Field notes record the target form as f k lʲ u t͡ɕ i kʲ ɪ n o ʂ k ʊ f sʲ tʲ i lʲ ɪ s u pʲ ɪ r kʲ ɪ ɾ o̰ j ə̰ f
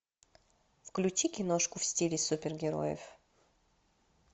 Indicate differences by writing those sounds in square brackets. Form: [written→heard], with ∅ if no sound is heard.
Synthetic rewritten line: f k lʲ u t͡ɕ i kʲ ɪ n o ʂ k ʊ f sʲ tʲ i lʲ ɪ s u pʲ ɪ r [kʲ→ɡʲ] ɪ ɾ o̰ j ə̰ f